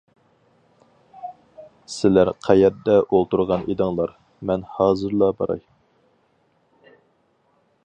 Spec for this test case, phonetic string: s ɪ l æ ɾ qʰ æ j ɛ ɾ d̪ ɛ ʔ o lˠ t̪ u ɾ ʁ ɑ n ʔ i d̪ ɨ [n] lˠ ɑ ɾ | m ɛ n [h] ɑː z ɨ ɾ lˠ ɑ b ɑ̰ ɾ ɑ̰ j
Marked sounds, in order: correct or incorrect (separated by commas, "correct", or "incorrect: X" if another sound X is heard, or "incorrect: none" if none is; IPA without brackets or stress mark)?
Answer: incorrect: ŋ, correct